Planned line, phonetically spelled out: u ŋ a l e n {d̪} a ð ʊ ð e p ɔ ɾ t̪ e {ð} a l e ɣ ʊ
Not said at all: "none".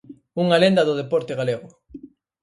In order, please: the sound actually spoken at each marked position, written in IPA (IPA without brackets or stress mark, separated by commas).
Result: d̪, ɣ